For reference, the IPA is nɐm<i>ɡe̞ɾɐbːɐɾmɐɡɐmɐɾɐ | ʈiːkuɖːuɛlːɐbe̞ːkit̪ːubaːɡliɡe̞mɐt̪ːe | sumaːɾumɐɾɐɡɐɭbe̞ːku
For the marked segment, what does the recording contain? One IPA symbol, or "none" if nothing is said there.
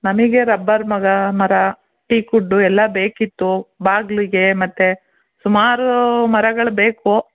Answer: i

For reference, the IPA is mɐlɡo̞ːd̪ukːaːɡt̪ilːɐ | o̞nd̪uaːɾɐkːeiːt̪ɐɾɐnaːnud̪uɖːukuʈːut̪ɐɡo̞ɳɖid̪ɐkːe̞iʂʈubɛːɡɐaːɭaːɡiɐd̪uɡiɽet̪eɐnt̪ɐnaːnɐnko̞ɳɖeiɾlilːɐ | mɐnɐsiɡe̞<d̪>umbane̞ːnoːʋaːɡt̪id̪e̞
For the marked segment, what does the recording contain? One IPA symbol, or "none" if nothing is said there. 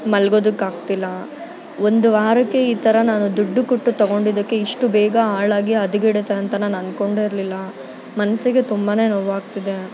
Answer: t̪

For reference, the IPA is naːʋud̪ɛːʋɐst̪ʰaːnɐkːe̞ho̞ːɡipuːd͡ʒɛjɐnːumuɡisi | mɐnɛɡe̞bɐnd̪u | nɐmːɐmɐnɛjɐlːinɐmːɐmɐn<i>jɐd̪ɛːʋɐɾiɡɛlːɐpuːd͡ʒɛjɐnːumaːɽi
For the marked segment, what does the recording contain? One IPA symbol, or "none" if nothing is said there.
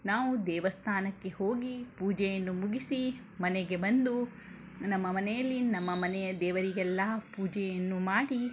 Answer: ɛ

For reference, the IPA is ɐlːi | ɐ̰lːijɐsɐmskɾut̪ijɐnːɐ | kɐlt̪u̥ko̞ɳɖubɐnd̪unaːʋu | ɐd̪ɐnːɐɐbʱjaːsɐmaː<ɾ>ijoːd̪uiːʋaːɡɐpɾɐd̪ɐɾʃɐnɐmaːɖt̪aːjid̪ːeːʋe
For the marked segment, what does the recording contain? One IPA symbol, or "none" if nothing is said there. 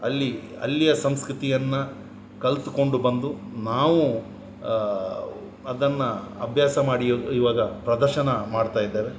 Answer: ɽ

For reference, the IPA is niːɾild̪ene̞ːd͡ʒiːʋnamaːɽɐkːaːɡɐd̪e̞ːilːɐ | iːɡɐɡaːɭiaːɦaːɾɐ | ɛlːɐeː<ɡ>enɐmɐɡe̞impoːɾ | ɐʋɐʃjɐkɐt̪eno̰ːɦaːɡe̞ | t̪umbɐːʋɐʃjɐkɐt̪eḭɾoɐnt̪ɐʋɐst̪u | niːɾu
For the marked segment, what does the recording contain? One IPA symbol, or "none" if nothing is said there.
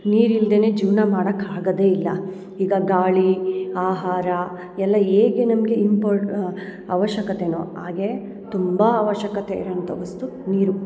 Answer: ɡ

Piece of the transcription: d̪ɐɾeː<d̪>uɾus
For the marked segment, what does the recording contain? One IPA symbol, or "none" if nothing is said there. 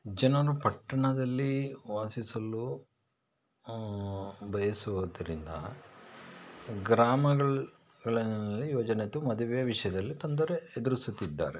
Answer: d̪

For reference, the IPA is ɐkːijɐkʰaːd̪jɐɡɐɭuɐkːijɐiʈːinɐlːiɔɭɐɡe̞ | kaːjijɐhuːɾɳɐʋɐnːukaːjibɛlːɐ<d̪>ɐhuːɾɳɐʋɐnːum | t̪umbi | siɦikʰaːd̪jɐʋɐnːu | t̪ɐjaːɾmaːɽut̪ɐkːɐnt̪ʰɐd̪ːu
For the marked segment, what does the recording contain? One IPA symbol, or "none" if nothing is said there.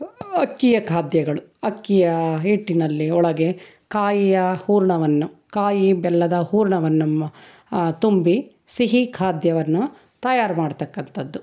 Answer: d̪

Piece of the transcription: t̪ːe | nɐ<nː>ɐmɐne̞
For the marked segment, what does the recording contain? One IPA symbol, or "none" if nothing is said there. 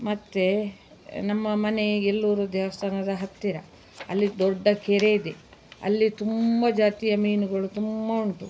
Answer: mː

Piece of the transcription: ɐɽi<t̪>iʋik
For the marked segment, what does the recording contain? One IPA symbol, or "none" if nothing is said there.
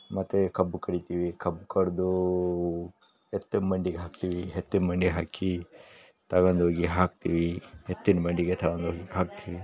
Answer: t̪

